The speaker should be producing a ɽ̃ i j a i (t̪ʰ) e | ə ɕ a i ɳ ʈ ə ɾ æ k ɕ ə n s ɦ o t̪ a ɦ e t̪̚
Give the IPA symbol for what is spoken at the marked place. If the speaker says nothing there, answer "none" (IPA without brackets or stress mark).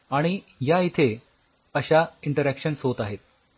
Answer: t̪ʰ